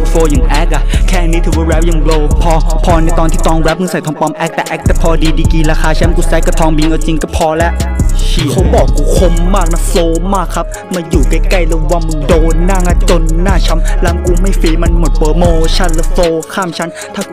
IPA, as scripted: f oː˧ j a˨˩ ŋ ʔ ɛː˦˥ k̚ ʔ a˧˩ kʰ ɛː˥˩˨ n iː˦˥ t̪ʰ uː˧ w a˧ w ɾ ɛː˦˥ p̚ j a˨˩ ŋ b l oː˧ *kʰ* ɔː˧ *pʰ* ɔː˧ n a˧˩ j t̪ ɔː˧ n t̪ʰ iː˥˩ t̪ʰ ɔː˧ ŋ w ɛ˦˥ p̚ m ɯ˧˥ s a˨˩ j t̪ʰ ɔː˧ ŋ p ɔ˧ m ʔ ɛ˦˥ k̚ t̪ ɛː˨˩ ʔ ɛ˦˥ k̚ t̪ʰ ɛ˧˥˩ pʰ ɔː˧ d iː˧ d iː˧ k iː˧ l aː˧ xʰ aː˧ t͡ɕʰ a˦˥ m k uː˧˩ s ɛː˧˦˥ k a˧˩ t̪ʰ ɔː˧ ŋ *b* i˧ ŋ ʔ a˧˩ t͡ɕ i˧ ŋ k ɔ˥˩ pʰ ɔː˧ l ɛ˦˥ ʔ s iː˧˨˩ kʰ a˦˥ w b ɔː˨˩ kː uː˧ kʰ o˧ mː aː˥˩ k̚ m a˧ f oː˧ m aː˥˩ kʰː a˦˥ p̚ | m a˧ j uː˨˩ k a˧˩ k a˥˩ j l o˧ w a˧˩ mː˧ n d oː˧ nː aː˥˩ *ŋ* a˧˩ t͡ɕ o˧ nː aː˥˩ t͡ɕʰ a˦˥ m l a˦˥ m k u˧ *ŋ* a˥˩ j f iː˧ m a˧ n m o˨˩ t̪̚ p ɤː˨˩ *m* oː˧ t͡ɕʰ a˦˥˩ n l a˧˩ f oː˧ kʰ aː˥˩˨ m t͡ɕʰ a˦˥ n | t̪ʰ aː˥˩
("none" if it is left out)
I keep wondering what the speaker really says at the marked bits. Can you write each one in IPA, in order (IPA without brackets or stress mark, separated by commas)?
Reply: pʰ, pʰ, b, ŋ, m, m